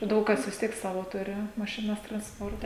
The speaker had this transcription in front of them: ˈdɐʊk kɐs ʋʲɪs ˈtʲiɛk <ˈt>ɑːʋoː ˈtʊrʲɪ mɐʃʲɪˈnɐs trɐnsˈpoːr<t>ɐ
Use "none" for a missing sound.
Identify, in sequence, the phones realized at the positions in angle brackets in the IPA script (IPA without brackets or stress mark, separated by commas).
s, t